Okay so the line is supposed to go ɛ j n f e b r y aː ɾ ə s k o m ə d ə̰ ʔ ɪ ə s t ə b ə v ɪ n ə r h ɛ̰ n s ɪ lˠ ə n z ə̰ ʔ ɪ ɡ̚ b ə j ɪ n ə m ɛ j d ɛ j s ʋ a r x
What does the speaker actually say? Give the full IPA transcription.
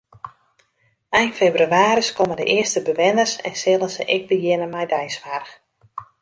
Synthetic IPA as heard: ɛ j n f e b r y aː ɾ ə s k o m ə d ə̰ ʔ ɪ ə s t ə b ə ʋ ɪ n ə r s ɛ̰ n s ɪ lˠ ə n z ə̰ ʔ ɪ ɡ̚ b ə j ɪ n ə m ɛ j d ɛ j s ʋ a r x